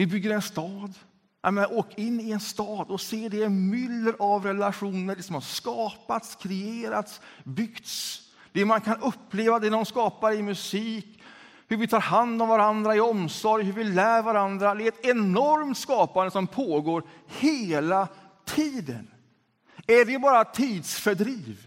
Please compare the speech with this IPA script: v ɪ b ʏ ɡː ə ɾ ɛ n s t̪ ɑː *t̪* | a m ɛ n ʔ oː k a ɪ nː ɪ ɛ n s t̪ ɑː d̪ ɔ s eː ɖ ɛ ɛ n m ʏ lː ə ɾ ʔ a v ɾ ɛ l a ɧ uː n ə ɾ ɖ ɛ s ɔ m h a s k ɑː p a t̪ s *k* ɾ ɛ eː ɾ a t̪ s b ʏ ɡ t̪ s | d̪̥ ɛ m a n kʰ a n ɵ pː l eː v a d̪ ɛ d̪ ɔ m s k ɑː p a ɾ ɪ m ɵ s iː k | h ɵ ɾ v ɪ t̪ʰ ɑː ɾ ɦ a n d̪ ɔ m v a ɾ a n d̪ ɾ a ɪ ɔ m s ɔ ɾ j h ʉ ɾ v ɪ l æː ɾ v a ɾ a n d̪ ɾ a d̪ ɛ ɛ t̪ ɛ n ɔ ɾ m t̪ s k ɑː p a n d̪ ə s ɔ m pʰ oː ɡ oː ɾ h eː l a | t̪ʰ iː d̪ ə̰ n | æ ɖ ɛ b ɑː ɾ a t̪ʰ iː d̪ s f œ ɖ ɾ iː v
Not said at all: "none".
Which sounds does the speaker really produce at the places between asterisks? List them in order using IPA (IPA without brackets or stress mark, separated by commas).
d̪, kʰ